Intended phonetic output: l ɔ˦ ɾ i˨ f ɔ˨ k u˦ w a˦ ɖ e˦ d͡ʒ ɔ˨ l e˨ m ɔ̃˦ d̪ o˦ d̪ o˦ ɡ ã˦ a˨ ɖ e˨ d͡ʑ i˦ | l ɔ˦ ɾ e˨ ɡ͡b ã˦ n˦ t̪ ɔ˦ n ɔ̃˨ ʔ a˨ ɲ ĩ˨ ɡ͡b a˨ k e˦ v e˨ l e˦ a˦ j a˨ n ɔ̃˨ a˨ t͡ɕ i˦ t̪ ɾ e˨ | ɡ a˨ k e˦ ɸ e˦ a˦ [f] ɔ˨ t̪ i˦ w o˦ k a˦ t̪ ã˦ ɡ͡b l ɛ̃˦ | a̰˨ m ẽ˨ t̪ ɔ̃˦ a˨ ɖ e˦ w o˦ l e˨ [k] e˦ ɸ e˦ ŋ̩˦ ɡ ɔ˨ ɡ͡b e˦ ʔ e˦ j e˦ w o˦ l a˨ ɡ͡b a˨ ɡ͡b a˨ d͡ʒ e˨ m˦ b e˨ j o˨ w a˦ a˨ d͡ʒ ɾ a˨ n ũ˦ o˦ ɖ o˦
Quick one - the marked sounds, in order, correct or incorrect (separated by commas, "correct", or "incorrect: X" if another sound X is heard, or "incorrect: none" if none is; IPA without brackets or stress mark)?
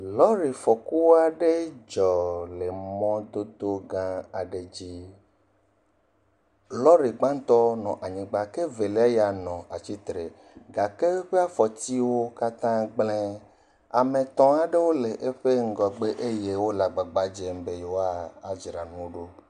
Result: correct, incorrect: ʔ